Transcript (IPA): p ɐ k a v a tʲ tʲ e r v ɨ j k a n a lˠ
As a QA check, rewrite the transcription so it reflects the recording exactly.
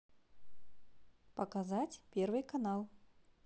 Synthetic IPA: p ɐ k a z a tʲ pʲ e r v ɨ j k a n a lˠ

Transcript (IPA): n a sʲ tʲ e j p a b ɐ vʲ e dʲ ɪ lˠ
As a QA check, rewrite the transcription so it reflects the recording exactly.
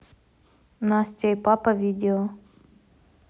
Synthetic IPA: n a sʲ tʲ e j p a p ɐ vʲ i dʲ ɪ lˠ

